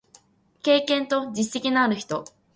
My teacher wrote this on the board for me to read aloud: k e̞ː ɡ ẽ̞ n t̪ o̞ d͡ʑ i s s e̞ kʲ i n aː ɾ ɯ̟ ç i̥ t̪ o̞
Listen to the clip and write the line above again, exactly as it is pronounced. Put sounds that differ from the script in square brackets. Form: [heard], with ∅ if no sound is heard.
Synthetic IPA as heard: k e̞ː [k] ẽ̞ n t̪ o̞ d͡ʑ i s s e̞ kʲ i n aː ɾ ɯ̟ ç i̥ t̪ o̞

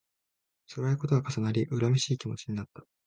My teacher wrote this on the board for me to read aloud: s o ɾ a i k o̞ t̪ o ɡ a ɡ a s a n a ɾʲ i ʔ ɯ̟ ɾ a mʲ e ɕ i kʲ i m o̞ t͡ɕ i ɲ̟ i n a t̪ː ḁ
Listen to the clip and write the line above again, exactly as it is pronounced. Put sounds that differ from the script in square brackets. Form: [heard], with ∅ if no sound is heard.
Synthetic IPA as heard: s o ɾ a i k o̞ t̪ o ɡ a [k] a s a n a ɾʲ i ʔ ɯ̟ ɾ a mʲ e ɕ [iː] kʲ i m o̞ t͡ɕ i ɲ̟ i n a t̪ː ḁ

